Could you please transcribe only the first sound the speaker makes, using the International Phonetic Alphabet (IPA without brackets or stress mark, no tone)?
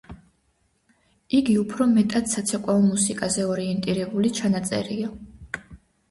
i